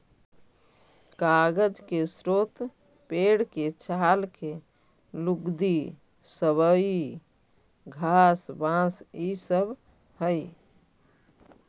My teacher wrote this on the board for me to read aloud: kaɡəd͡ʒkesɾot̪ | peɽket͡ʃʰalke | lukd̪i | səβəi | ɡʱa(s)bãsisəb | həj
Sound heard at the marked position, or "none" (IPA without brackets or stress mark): s